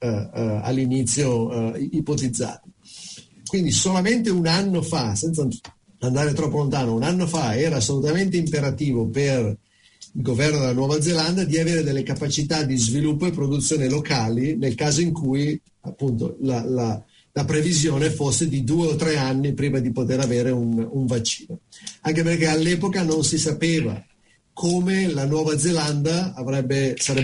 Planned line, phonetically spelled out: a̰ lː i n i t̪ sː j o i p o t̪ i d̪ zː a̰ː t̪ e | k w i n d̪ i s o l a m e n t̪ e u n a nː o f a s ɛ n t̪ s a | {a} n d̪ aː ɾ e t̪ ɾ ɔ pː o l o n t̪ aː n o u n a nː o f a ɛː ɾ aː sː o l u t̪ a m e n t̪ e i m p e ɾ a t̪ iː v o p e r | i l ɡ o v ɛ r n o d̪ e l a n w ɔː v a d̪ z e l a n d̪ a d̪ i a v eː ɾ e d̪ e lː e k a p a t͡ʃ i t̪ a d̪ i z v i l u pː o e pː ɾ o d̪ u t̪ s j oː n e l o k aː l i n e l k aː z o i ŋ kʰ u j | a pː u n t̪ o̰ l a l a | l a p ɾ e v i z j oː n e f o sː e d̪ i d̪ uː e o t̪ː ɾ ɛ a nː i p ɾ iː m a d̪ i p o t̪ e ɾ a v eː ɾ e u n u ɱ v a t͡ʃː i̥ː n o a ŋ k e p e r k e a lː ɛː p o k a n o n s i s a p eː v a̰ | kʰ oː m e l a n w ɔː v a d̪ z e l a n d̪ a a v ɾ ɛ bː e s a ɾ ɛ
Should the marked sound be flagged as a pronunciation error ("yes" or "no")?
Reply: no